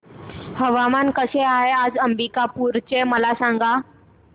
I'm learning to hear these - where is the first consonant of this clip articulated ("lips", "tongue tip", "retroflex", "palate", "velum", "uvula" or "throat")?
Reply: throat